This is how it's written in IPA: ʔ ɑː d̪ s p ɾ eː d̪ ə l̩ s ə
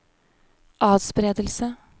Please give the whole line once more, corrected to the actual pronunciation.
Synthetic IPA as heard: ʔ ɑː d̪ s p ɾ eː d̪ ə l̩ s ə